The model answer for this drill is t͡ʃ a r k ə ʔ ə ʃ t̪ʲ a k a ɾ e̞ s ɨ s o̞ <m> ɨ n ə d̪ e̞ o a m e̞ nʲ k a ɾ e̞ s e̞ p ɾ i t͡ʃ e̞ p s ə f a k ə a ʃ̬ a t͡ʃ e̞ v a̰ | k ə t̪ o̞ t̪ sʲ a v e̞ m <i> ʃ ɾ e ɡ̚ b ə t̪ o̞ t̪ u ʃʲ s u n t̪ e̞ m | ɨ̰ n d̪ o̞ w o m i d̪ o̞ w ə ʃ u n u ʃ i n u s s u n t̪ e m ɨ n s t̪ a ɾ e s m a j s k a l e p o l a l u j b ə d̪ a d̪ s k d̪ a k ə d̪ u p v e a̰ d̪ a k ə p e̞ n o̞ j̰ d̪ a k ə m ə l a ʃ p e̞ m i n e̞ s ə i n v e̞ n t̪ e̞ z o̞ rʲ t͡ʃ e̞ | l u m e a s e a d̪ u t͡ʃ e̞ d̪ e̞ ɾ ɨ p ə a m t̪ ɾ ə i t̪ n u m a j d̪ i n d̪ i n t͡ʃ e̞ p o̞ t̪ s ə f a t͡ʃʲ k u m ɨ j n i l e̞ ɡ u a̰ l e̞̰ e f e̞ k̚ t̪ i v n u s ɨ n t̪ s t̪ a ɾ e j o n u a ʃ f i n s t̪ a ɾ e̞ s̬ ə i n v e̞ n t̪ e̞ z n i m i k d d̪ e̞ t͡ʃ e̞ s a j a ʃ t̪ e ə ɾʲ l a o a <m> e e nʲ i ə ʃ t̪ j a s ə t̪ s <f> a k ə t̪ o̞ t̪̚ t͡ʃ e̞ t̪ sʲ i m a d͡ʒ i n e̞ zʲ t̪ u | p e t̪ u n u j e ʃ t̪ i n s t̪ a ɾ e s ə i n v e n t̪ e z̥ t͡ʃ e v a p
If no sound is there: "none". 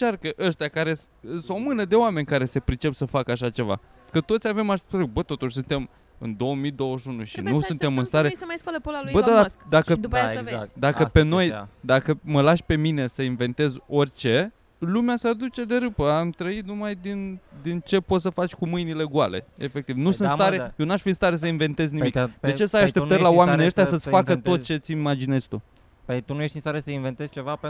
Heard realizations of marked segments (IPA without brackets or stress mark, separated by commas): m, a, m, f